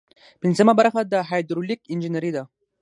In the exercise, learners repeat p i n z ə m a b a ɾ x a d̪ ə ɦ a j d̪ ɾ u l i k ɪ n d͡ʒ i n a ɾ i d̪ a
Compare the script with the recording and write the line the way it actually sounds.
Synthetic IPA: p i n z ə m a b a ɾ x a d̪ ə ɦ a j d̪ ɾ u l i k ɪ n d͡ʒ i n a ɾ i d̪ a